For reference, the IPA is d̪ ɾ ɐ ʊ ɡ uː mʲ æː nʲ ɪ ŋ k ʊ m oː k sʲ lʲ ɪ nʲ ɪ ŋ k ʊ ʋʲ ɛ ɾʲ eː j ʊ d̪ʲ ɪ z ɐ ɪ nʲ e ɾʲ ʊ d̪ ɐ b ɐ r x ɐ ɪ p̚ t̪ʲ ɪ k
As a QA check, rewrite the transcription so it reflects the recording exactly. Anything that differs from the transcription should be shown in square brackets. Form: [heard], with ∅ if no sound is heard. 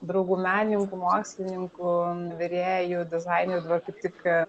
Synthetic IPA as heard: d̪ ɾ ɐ ʊ ɡ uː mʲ æː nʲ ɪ ŋ k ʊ m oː k sʲ lʲ ɪ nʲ ɪ ŋ k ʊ ʋʲ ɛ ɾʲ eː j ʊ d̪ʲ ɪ z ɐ ɪ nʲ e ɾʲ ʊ d̪ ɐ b ɐ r [k] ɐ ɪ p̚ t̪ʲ ɪ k